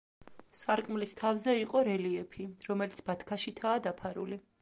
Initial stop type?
ejective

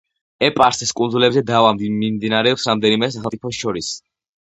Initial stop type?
ejective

